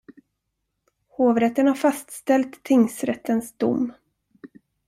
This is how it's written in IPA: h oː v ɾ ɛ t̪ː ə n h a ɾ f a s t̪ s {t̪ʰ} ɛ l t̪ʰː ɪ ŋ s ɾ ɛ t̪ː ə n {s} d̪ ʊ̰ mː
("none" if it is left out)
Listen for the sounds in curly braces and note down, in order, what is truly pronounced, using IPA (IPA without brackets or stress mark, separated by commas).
t̪, s